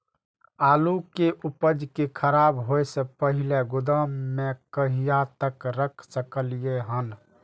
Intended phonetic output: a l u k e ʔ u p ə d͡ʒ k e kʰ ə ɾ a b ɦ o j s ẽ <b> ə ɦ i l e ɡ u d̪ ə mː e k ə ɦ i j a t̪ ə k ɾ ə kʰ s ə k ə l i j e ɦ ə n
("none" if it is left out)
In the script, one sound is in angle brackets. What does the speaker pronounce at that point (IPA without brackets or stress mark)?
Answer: p